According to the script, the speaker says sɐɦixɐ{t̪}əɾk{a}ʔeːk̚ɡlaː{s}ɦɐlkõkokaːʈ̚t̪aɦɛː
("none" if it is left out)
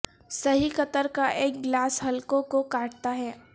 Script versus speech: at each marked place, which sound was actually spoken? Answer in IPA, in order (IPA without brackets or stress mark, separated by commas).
t̪, a, s